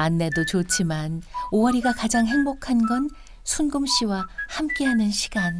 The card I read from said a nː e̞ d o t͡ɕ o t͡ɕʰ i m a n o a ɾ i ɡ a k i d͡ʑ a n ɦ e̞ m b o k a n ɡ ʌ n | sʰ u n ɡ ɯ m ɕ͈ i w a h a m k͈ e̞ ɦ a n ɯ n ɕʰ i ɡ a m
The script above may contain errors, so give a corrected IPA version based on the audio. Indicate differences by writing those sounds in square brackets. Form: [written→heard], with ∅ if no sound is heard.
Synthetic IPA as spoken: a nː e̞ d o t͡ɕ o t͡ɕʰ i m a n o [a→ʌ] ɾ i ɡ a k [i→a] d͡ʑ a [n→ŋ] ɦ e̞ [m→ŋ] b o [k→kʰ] a n ɡ ʌ n | sʰ u n ɡ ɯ m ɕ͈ i w a h a m k͈ e̞ ɦ a n ɯ n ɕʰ i ɡ a [m→n]